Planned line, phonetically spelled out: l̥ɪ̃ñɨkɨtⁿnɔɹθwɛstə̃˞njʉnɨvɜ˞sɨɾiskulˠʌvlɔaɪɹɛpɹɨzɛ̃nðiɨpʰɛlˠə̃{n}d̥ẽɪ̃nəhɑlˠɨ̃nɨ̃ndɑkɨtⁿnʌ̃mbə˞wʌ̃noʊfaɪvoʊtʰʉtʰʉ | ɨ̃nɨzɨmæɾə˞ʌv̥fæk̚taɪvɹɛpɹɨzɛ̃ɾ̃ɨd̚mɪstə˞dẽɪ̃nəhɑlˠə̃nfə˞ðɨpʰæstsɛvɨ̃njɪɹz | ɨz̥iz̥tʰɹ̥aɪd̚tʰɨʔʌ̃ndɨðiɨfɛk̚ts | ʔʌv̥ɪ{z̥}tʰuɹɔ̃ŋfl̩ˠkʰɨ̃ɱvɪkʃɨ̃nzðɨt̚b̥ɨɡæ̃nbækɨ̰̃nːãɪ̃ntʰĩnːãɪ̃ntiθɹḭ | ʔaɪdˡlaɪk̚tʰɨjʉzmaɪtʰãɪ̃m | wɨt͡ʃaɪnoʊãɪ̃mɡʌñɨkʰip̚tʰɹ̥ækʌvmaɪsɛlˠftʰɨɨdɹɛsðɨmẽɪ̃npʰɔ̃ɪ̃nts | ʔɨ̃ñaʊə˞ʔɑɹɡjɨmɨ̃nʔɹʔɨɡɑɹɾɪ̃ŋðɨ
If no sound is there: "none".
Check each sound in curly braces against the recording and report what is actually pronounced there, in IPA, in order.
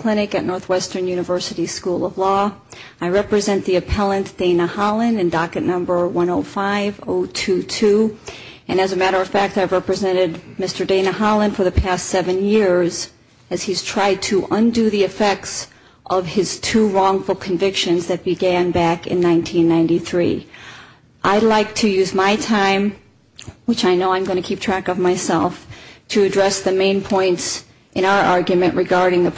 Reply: n, z̥

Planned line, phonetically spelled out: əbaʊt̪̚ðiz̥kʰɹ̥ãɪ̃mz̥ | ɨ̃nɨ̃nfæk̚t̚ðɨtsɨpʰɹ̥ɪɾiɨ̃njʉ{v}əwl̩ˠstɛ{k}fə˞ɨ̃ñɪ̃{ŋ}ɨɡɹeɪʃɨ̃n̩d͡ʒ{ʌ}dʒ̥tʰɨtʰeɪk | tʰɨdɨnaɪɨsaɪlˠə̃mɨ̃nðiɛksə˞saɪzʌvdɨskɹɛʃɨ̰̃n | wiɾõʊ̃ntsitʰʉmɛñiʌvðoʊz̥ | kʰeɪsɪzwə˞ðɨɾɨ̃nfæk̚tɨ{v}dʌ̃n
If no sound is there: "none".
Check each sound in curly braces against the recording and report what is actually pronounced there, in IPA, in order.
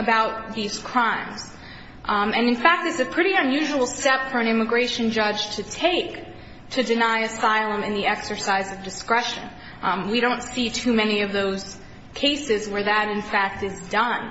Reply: ʒ, p, m, ʌ, z

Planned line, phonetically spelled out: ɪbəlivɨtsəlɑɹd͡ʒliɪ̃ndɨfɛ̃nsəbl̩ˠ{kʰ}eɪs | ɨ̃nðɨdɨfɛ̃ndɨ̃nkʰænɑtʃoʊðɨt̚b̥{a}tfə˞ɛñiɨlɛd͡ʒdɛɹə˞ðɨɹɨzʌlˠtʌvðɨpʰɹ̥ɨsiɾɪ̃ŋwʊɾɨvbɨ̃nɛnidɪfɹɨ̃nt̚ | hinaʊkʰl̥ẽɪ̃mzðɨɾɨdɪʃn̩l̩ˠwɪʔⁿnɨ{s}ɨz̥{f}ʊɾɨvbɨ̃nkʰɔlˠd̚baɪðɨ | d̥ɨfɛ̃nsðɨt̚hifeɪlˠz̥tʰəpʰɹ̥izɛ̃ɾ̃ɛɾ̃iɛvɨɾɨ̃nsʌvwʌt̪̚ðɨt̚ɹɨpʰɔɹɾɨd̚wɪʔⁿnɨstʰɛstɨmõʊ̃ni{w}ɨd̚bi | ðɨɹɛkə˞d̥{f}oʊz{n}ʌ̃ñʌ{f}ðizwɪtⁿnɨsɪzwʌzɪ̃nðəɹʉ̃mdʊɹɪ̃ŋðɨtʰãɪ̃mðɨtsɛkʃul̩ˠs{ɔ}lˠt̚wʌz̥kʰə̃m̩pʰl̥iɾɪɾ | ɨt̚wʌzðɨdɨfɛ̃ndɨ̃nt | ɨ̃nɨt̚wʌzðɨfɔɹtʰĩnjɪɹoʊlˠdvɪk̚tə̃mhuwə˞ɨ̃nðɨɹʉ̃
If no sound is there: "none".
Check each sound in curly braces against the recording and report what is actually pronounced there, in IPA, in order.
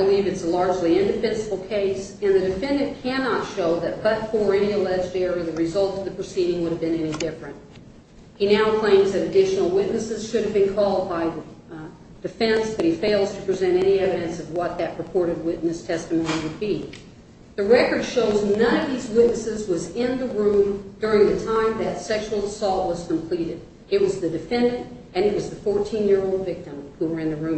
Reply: kʰ, ʌ, s, ʃ, w, ʃ, n, v, ɔ

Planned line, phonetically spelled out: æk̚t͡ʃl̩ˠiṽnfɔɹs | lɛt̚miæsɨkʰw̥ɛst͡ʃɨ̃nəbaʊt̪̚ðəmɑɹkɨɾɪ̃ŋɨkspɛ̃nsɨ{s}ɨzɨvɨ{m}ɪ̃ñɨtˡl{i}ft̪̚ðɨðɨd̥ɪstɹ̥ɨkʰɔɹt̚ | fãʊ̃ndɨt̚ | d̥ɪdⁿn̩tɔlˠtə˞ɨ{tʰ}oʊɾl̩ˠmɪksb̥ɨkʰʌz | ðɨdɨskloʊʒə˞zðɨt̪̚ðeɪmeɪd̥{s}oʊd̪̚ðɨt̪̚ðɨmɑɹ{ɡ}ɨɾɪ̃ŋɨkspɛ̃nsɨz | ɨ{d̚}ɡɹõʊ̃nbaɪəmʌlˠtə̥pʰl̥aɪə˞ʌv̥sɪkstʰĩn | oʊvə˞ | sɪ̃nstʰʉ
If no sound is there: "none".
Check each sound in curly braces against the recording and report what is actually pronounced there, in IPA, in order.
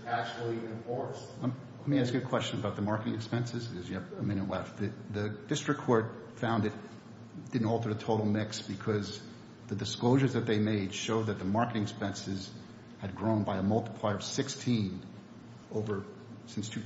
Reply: z, m, ɛ, tʰ, ʃ, k, d̚

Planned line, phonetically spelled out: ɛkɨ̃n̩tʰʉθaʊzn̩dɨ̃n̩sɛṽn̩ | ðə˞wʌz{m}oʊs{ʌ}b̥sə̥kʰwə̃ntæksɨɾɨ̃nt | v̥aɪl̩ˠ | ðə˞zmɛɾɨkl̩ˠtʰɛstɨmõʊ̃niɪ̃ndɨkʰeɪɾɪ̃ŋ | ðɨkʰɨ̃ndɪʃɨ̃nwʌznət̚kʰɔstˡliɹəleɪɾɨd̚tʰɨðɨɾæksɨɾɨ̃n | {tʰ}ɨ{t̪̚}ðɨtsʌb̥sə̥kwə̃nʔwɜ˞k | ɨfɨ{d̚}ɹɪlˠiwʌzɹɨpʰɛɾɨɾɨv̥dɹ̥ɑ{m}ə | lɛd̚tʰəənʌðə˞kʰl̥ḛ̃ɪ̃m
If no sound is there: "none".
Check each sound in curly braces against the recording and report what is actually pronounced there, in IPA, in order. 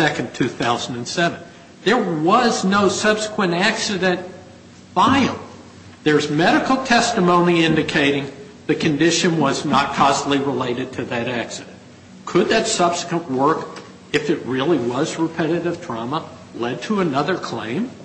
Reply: n, ʌ, kʰ, d̪̚, t̚, m

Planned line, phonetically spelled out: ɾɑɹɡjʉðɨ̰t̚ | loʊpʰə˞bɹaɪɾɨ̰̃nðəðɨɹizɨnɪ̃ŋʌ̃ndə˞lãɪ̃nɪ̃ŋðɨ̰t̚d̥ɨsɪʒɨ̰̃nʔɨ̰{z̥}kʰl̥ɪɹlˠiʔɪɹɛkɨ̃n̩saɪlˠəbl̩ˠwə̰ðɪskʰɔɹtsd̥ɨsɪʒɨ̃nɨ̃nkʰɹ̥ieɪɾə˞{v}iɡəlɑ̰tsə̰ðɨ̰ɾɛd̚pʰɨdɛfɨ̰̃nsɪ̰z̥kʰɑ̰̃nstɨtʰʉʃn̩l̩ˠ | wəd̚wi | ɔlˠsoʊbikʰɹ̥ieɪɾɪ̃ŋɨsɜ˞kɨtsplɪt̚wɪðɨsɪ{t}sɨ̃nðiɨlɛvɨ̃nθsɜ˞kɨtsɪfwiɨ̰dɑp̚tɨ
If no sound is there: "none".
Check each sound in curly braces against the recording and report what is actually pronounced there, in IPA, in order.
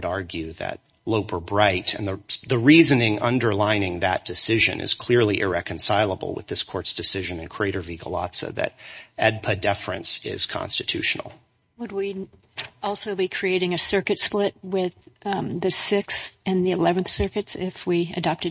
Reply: z̥, v, k

